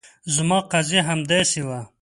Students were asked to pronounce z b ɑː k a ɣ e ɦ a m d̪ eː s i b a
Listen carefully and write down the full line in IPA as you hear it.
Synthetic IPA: z m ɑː q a z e ɦ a m d̪ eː s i w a